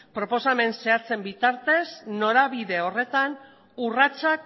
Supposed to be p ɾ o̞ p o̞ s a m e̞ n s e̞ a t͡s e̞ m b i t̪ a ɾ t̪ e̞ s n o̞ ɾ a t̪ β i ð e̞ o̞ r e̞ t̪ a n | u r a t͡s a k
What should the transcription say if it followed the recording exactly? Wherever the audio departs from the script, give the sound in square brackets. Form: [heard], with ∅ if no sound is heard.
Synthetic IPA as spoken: p ɾ o̞ p o̞ s a m e̞ n s e̞ a t͡s e̞ m b i t̪ a ɾ t̪ e̞ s n o̞ ɾ a [∅] β i ð e̞ o̞ r e̞ t̪ a n | u r a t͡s a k